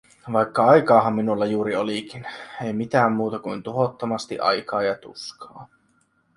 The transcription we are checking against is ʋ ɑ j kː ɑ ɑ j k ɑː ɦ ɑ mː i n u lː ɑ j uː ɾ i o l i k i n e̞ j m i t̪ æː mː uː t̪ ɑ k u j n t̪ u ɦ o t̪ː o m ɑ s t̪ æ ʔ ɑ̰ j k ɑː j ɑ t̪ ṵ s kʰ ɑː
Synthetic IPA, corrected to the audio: ʋ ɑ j kː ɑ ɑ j k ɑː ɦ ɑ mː i n u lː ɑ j uː ɾ i o l i k i n e̞ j m i t̪ æː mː uː t̪ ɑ k u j n t̪ u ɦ o t̪ː o m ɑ s t̪ i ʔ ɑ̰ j k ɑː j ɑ t̪ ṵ s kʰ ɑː